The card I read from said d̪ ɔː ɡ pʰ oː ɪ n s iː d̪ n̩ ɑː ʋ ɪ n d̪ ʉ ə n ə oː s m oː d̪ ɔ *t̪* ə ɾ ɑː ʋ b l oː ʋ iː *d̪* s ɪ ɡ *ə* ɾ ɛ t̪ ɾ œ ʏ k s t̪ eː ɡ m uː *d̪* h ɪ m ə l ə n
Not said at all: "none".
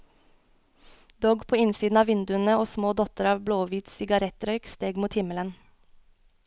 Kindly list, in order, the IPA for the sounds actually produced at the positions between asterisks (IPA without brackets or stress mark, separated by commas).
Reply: t̪, t̪, ɑ, t̪